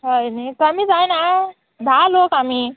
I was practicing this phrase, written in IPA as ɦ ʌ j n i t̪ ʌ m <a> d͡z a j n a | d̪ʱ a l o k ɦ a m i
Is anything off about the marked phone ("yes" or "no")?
yes